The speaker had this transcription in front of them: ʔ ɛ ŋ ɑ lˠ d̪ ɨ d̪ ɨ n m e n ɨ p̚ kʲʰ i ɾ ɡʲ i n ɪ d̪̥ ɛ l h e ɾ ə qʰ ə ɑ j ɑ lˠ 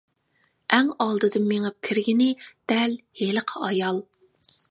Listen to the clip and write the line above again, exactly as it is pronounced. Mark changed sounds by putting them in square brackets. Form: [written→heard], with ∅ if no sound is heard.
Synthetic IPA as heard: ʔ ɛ ŋ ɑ lˠ d̪ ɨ d̪ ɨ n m e [n→ŋ] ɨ p̚ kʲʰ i ɾ ɡʲ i n ɪ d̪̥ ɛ l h e [ɾ→l] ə qʰ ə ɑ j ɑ lˠ